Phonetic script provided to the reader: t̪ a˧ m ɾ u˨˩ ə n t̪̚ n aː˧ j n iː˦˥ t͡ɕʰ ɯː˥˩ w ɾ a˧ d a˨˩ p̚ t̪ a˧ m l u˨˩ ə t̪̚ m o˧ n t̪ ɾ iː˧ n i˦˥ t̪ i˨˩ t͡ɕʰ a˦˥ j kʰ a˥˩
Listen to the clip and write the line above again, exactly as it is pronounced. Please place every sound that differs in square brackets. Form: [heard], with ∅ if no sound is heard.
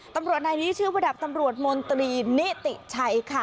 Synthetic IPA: t̪ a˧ m ɾ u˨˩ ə [∅] t̪̚ n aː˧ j n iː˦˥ t͡ɕʰ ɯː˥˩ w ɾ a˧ d a˨˩ p̚ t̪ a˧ m [ɾ] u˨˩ ə t̪̚ m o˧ n t̪ ɾ iː˧ n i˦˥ t̪ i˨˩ t͡ɕʰ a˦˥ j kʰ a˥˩